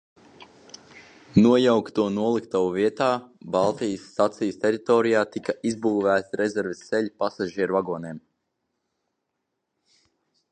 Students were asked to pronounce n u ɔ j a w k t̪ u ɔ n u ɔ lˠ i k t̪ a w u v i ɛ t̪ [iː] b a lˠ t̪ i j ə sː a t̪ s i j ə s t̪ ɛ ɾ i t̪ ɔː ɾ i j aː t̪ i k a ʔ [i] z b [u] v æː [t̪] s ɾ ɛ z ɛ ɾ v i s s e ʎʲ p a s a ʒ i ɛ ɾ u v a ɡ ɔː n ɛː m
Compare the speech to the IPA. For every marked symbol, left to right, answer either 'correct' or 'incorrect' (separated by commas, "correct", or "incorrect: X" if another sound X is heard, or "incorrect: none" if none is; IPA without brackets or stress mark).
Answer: incorrect: aː, correct, incorrect: uː, correct